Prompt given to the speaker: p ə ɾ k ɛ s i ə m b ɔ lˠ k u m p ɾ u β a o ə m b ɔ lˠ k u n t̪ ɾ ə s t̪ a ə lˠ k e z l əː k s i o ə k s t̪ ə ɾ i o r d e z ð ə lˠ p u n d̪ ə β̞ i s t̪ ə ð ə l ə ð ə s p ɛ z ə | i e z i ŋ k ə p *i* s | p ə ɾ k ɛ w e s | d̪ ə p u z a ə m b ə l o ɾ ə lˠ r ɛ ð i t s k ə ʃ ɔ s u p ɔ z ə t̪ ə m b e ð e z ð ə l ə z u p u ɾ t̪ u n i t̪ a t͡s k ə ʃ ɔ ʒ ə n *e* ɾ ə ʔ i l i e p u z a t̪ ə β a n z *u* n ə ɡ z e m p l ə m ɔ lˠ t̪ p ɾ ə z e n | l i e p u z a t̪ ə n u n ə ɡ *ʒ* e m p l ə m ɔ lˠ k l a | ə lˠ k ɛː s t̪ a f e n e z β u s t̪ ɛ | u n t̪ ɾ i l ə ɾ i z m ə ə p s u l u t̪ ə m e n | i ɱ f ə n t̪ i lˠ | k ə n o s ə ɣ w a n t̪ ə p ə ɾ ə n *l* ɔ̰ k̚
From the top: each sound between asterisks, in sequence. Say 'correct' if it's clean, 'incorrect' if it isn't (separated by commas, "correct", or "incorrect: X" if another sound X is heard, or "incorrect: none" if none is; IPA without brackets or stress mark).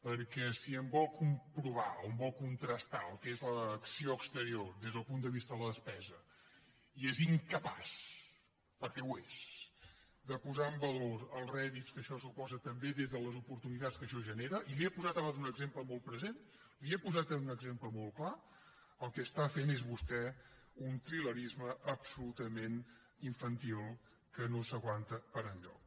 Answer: incorrect: a, correct, correct, incorrect: z, incorrect: ʎ